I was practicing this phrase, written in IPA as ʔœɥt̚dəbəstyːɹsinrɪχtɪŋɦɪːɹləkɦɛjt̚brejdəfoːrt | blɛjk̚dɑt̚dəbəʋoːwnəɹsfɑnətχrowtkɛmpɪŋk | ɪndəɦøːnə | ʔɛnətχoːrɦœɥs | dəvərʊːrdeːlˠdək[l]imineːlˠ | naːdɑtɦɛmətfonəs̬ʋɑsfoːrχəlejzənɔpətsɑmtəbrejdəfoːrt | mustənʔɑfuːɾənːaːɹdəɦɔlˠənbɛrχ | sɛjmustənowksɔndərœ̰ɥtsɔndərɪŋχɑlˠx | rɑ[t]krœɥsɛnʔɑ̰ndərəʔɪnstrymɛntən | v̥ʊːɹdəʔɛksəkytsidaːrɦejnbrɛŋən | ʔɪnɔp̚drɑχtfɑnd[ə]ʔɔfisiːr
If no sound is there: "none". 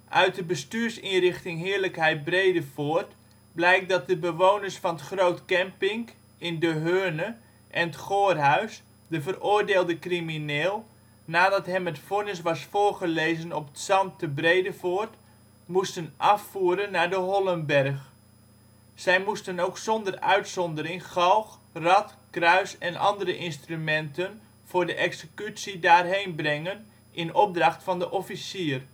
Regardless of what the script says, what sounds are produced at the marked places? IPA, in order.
r, t, ə

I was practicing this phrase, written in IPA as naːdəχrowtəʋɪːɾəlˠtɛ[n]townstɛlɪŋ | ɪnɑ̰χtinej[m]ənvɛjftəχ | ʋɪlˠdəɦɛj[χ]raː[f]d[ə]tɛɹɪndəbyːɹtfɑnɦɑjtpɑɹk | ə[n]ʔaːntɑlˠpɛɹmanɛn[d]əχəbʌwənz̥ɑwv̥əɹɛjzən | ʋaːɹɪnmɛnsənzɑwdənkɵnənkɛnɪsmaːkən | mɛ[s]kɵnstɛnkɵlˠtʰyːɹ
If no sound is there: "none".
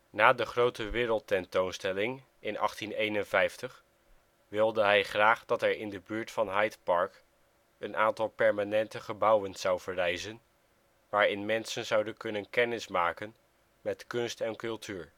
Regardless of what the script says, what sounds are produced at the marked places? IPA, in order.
n, n, χ, χ, ɑ, n, t, t

